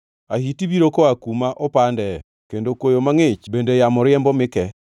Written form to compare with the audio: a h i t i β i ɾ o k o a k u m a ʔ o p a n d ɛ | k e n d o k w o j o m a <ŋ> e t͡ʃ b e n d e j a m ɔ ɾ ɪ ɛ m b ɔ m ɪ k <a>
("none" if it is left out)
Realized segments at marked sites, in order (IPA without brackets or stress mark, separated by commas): ŋ, ɛ